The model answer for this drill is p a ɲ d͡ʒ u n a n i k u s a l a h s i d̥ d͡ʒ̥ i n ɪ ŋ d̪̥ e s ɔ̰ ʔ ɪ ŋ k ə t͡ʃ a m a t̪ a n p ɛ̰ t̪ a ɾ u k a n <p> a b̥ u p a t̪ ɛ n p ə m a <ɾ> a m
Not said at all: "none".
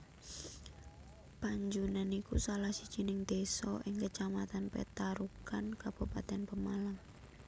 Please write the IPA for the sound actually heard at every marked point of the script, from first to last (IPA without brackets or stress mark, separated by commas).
k, l